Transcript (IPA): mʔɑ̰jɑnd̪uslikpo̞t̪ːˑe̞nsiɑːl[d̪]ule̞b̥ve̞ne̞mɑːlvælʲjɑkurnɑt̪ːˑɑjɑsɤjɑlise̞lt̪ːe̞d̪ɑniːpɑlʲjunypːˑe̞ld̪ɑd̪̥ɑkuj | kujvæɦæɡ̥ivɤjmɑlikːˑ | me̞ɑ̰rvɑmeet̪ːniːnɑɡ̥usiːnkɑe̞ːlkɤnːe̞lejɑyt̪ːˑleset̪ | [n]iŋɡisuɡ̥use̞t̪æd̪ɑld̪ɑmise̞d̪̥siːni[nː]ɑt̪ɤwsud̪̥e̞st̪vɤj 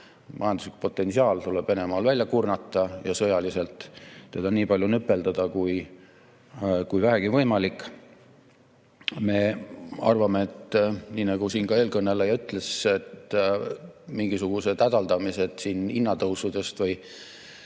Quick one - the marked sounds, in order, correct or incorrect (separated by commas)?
incorrect, incorrect, correct